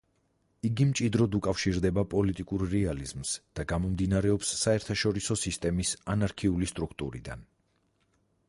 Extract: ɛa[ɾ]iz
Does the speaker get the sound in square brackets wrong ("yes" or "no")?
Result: yes